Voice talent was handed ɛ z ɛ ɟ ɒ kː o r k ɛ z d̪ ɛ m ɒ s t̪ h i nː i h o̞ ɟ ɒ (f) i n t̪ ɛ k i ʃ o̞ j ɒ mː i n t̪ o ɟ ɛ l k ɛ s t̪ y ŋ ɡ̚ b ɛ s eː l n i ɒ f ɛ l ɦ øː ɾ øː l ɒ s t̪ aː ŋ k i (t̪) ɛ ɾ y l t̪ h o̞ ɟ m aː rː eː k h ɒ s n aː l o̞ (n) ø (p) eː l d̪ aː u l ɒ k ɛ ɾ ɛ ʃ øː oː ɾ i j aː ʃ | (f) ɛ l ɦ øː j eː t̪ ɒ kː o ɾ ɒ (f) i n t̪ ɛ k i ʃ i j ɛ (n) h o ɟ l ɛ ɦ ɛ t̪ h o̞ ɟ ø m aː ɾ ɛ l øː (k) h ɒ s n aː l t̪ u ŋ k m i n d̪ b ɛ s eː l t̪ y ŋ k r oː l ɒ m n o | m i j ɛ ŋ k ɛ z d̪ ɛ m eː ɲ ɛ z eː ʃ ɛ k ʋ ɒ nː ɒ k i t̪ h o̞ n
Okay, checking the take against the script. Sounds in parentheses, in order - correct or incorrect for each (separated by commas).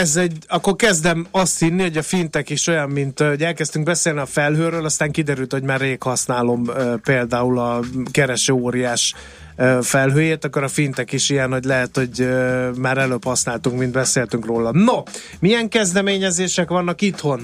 correct, incorrect, incorrect, correct, correct, correct, correct, incorrect